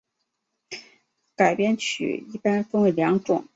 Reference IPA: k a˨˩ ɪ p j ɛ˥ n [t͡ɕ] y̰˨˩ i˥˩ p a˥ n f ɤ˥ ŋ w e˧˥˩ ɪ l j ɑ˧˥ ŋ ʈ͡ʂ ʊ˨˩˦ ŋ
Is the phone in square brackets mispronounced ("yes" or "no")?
yes